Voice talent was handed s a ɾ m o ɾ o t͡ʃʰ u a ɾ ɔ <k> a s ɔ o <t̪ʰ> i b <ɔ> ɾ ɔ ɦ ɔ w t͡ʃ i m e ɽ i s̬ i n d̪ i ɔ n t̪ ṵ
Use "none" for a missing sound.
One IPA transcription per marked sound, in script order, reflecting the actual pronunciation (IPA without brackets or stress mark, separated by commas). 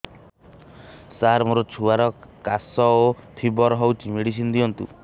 k, t̪ʰ, ɔ